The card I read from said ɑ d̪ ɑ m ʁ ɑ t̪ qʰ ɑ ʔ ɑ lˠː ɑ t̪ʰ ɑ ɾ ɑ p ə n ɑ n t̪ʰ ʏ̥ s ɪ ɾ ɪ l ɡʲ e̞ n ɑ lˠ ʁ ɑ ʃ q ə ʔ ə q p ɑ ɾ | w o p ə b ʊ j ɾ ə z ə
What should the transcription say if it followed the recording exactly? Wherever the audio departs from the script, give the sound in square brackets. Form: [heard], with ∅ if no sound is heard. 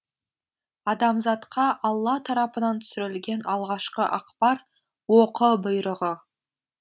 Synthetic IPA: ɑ d̪ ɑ m [z] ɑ t̪ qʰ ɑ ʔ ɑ lˠː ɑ t̪ʰ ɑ ɾ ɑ p ə n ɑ n t̪ʰ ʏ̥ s ɪ ɾ ɪ l ɡʲ e̞ n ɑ lˠ ʁ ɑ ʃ q ə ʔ [ɑ] q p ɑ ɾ | w o [q] ə b ʊ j ɾ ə [ʁ] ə